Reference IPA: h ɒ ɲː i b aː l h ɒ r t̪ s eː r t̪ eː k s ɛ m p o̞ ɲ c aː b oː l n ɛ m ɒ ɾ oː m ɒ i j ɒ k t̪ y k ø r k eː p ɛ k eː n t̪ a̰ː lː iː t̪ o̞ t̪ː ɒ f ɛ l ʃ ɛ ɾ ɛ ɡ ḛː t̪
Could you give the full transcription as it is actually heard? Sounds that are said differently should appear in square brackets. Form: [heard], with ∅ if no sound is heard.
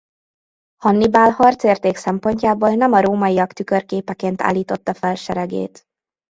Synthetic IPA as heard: h ɒ [nː] i b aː l h ɒ r t̪ s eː r t̪ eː k s ɛ m p o̞ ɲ c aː b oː l n ɛ m ɒ ɾ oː m ɒ i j ɒ k t̪ y k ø r k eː p ɛ k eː n t̪ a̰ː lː iː t̪ o̞ t̪ː ɒ f ɛ l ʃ ɛ ɾ ɛ ɡ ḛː t̪